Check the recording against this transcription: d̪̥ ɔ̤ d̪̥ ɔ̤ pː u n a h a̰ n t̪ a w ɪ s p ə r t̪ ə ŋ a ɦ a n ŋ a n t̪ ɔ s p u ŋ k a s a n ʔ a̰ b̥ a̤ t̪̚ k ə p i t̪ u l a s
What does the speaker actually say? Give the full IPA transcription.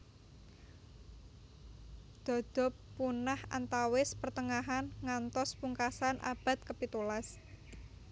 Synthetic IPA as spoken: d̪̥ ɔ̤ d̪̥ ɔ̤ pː u n a h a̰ n t̪ a w ɪ s p ə r t̪ ə ŋ a ɦ a n ŋ a n t̪ ɔ s p u ŋ k a s a n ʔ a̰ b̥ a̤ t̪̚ k ə p i t̪ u l a s